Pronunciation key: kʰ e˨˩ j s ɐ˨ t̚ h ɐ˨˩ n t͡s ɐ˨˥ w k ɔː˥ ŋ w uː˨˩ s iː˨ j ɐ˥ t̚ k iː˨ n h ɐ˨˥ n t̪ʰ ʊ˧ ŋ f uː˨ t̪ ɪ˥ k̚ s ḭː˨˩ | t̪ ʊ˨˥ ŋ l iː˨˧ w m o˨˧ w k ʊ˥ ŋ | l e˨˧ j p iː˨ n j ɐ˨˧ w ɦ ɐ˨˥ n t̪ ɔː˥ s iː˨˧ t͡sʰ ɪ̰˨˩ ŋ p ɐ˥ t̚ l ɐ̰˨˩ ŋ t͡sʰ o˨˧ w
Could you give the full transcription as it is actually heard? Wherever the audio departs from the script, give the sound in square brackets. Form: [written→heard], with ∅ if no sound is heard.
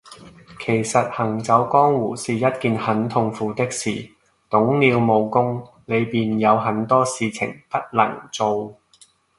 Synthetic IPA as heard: kʰ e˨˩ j s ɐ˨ t̚ h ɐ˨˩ [n→ŋ] t͡s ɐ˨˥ w k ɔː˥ ŋ w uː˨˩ s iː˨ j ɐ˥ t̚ k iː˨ n h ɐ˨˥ n t̪ʰ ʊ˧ ŋ f uː˨ t̪ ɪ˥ k̚ s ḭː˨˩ | t̪ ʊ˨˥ ŋ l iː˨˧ w m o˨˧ w k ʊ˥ ŋ | l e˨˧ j p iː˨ n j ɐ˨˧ w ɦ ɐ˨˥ n t̪ ɔː˥ s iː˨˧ t͡sʰ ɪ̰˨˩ ŋ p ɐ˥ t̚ l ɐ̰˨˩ ŋ [t͡sʰ→t͡s] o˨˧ w